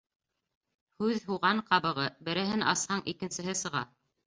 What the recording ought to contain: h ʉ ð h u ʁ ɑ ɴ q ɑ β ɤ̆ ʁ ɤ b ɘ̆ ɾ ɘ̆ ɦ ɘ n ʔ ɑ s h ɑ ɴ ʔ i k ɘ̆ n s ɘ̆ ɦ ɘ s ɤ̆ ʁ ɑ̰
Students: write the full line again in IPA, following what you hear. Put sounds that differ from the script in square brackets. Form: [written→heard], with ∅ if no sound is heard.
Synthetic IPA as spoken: h ʉ ð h u ʁ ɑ ɴ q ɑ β ɤ̆ ʁ ɤ b ɘ̆ ɾ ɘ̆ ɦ ɘ n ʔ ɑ s h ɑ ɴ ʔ i k ɘ̆ n s ɘ̆ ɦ ɘ s ɤ̆ ʁ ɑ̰